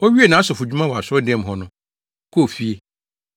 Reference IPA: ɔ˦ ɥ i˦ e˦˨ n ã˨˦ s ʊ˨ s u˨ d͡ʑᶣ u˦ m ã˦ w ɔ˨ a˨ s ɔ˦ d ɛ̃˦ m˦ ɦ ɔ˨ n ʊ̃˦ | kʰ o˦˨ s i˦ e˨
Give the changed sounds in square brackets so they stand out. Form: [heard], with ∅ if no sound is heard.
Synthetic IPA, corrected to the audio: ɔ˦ ɥ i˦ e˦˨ n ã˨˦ s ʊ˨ [f] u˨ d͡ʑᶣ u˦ m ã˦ w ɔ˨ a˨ s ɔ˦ d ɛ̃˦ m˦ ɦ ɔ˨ n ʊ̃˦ | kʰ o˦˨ [f] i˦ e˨